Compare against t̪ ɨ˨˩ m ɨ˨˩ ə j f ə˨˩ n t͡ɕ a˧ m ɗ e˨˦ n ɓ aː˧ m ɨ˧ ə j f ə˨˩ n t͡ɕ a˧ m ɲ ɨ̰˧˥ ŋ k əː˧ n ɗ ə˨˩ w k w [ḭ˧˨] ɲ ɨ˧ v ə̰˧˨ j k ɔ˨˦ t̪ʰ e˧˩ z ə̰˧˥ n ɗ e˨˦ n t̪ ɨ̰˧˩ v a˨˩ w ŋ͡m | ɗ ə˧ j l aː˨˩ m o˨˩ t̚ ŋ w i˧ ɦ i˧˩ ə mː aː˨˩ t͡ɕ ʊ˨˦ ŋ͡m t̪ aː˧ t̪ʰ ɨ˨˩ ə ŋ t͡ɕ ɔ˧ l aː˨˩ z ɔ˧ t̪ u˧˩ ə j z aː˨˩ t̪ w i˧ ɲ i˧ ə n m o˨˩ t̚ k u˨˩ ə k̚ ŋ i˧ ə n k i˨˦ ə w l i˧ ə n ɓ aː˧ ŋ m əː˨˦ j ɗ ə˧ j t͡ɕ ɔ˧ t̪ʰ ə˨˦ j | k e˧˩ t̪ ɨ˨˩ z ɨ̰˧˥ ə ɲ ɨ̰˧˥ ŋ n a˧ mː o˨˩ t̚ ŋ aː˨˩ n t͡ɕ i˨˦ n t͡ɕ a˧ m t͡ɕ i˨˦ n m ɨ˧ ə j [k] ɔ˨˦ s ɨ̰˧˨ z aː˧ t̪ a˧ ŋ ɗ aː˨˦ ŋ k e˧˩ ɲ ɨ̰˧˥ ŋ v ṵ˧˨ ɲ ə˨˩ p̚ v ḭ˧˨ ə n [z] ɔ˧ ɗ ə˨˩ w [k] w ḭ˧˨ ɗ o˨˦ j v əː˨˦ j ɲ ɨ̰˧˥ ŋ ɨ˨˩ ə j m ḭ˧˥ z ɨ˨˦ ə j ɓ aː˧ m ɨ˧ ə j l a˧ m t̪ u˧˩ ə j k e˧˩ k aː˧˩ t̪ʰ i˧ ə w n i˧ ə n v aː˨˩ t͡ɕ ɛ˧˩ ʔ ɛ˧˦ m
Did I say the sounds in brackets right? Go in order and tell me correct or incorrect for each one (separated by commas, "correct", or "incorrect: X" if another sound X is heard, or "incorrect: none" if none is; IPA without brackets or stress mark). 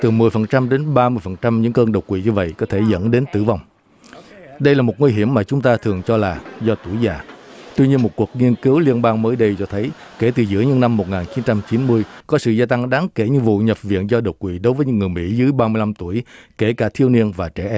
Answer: correct, correct, correct, correct